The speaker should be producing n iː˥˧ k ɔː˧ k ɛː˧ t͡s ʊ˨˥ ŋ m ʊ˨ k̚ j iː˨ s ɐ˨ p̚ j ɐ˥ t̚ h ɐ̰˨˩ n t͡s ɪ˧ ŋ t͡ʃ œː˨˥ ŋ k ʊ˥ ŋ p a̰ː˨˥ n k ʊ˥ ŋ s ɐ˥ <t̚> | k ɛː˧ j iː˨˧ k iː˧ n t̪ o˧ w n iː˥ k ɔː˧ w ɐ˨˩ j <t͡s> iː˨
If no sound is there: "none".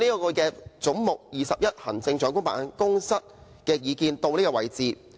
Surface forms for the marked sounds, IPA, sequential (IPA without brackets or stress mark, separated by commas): t̚, t͡s